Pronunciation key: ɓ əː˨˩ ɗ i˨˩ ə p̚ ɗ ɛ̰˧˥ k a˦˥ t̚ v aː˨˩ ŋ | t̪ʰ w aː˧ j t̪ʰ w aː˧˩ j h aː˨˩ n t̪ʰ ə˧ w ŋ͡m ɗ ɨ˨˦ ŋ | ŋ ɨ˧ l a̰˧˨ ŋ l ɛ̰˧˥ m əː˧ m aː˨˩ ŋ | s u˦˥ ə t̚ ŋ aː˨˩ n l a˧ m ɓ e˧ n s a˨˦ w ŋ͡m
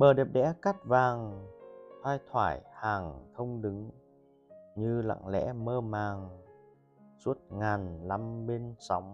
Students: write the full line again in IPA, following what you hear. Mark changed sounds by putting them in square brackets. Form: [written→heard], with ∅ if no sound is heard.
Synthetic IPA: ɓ əː˨˩ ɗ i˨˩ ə p̚ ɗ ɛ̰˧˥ k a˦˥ t̚ v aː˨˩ ŋ | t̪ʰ w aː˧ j t̪ʰ w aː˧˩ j h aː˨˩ [n→ŋ] t̪ʰ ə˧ w ŋ͡m ɗ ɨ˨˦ ŋ | [ŋ→ɲ] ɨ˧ l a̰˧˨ ŋ l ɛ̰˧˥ m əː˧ m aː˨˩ ŋ | s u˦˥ ə t̚ ŋ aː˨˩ n l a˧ m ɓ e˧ n s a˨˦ w ŋ͡m